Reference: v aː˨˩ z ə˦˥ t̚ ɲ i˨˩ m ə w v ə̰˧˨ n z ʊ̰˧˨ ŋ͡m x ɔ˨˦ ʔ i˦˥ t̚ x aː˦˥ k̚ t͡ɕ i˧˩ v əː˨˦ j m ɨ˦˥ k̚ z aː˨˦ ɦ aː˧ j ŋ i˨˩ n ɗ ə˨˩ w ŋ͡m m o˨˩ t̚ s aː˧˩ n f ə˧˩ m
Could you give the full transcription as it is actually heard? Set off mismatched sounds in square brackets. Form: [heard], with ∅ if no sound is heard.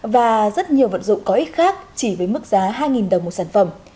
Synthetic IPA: v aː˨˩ z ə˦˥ t̚ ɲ i˨˩ [∅] ə w v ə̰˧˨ n z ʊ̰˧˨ ŋ͡m [k] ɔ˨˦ ʔ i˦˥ t̚ x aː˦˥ k̚ t͡ɕ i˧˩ v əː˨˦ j m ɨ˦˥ k̚ z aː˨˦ ɦ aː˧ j ŋ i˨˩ n ɗ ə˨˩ w ŋ͡m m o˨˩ t̚ s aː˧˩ n f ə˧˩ m